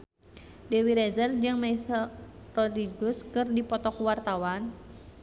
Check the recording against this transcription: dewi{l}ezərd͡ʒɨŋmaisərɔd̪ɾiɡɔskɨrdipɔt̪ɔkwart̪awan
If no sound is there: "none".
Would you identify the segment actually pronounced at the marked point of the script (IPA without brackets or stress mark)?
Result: ɾ